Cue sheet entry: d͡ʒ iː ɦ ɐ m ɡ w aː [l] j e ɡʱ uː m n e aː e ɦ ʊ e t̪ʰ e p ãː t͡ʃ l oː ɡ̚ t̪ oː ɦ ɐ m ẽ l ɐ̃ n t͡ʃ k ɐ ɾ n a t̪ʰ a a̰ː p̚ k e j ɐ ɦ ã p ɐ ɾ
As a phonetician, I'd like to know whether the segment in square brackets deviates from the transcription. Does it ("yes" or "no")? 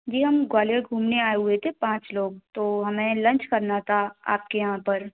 no